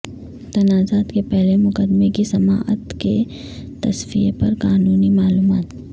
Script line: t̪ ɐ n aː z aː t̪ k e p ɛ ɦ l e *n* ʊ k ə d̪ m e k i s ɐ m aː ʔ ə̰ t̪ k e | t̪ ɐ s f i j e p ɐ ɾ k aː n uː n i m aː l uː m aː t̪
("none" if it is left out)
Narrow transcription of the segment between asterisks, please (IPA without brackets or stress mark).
m